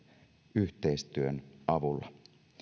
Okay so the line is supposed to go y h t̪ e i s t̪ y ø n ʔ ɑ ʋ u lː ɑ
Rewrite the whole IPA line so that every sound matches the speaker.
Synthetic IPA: y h t̪ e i s t̪ y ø n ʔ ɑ ʋ u lː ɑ